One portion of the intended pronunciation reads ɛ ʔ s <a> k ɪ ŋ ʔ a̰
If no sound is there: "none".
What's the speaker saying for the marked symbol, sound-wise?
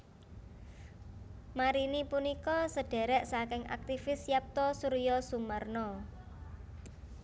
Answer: a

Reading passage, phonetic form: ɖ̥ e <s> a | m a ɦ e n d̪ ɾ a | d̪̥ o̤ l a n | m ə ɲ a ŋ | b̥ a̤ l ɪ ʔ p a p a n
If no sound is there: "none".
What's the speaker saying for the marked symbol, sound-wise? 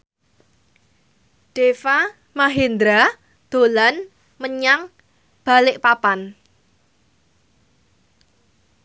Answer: f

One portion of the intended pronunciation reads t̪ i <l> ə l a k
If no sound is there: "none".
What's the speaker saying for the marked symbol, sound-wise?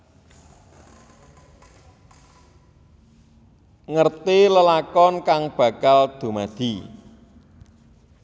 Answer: l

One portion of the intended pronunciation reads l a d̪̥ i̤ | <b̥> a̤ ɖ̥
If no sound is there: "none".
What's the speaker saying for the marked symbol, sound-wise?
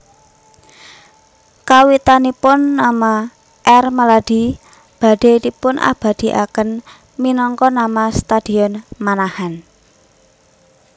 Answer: b̥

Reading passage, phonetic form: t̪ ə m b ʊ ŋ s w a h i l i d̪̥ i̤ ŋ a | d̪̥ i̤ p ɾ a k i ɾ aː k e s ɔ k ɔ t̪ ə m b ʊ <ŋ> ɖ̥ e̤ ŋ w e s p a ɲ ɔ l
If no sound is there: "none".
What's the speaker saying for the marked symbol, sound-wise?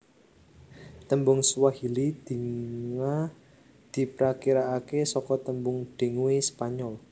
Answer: ŋ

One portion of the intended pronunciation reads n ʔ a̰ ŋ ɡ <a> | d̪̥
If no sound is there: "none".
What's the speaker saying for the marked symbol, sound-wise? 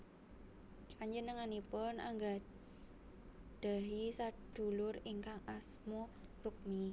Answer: a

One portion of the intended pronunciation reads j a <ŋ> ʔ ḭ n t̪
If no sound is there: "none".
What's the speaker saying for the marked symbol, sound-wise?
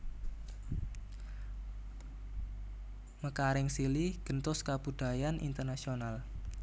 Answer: n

